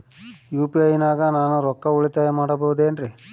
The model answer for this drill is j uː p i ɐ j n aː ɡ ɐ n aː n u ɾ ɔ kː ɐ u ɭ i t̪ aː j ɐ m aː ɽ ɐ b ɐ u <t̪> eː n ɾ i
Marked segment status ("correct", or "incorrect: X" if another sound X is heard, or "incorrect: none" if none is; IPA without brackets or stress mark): incorrect: d̪